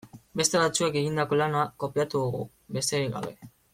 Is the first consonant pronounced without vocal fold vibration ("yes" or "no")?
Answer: no